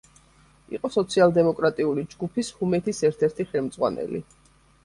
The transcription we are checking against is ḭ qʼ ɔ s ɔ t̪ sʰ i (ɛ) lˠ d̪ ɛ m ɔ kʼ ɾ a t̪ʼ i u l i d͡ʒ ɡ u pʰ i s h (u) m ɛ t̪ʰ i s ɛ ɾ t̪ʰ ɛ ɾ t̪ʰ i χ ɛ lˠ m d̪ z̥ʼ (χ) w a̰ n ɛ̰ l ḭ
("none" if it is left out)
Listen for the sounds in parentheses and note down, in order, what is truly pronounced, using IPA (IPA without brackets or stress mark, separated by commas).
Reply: a, u, ʁ